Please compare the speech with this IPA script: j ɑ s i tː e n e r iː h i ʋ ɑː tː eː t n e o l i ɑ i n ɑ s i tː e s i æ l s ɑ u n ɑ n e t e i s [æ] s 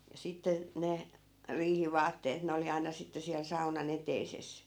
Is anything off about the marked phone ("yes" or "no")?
yes